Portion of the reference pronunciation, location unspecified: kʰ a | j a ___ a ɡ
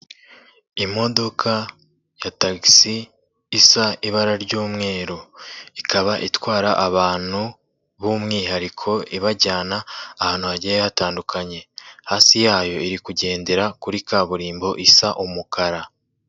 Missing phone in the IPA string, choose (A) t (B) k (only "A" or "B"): A